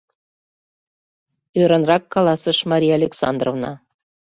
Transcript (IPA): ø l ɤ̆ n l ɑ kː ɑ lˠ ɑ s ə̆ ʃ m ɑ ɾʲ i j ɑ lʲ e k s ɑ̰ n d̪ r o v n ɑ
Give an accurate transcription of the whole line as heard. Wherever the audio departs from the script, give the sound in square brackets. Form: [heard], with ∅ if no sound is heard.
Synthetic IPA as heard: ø [ɾ] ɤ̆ n [r] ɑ kː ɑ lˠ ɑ s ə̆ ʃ m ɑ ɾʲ i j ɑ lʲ e k s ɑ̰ n d̪ r o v n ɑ